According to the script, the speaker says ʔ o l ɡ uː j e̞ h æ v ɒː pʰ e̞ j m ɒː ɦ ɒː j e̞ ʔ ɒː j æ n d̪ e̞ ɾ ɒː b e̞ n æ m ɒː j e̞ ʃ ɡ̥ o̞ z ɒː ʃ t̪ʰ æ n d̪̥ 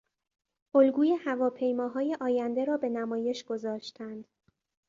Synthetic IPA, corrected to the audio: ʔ o l ɡ uː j e̞ h æ v ɒː pʰ e̞ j m ɒː ɦ ɒː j e̞ ʔ ɒː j æ n d̪ e̞ ɾ ɒː b e̞ n æ m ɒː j e̞ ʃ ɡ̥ o̞ z ɒː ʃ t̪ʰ æ n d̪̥